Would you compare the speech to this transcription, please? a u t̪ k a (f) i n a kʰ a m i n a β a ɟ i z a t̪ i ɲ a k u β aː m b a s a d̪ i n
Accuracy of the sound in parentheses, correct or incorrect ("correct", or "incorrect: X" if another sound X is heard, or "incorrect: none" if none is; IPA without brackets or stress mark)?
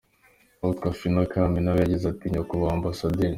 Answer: correct